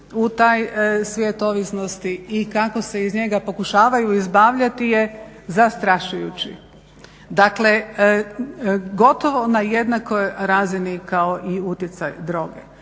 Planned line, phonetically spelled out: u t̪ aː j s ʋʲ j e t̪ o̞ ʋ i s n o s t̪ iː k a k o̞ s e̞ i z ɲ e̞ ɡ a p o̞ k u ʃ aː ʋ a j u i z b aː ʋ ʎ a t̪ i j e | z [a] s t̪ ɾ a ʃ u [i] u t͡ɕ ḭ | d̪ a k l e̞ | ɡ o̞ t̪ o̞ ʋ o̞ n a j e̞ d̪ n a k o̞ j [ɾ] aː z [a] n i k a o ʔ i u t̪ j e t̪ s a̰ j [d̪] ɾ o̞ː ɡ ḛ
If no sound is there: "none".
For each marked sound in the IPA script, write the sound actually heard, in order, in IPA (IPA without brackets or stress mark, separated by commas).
a, j, ɾ, i, d̪